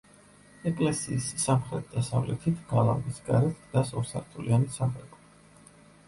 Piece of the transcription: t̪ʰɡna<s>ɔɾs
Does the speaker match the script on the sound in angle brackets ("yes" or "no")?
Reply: yes